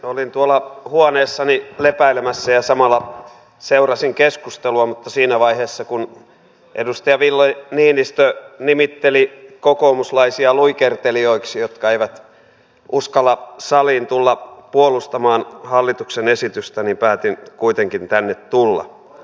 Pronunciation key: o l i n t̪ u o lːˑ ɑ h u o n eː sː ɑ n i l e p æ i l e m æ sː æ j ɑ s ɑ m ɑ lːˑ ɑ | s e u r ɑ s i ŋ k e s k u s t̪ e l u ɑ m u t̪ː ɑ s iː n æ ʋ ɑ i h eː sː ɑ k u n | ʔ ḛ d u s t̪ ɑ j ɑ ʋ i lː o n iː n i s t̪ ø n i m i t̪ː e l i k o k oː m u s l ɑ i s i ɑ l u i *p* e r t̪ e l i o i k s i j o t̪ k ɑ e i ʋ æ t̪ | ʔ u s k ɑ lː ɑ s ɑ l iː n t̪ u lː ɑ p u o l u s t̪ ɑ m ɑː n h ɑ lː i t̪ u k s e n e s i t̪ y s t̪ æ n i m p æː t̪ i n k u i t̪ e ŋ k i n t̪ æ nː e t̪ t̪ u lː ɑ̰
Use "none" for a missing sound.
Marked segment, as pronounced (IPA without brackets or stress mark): k